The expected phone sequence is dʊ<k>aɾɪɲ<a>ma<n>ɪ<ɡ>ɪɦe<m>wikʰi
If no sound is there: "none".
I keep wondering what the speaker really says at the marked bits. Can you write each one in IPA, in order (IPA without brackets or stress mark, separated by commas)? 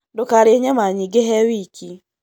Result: k, e, ɲ, ɡ, none